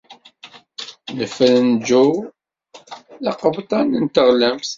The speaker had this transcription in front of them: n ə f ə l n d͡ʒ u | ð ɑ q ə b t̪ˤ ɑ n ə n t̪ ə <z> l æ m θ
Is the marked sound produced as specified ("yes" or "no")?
no